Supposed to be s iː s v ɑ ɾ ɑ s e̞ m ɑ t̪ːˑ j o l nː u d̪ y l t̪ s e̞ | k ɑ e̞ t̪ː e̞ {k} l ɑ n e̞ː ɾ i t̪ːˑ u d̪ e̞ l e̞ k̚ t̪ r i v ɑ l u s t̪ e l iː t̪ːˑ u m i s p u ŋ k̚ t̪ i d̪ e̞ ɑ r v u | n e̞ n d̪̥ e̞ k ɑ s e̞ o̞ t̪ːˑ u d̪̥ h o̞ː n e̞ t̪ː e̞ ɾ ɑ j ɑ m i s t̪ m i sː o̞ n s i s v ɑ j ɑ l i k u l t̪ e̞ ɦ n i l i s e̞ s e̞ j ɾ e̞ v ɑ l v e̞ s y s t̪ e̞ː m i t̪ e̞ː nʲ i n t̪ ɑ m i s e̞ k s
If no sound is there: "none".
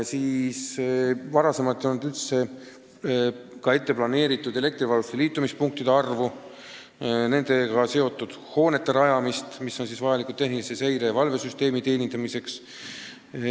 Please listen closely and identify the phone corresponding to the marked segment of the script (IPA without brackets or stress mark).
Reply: p